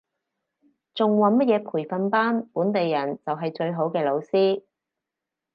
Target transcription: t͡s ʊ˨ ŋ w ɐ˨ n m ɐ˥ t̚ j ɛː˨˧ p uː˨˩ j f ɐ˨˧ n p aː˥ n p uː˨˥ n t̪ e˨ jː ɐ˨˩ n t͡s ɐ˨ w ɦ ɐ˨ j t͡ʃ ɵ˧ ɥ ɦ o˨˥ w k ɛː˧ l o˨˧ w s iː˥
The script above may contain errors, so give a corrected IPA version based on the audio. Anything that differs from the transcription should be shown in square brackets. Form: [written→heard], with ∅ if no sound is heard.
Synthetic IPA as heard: t͡s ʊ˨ ŋ w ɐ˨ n m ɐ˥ t̚ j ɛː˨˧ [p→pʰ] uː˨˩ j f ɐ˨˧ n p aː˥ n p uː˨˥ n t̪ e˨ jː ɐ˨˩ n t͡s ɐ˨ w ɦ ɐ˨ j t͡ʃ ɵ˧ ɥ ɦ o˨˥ w k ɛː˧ l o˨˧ w s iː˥